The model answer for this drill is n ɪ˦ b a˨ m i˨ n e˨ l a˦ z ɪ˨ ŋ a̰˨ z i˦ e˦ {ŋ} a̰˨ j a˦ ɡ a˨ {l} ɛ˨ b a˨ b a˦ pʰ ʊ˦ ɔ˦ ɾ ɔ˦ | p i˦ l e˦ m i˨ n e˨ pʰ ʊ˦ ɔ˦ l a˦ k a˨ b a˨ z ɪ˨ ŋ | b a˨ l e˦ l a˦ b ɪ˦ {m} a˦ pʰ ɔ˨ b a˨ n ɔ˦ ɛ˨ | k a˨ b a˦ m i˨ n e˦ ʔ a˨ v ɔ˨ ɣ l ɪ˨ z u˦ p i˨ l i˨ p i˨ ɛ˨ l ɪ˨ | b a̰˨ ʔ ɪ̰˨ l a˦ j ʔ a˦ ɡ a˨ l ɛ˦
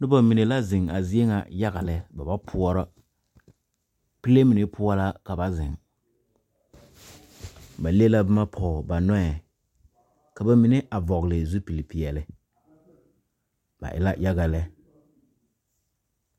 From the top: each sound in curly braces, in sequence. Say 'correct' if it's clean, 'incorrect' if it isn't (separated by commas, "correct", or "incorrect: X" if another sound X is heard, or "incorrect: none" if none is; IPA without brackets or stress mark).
correct, correct, correct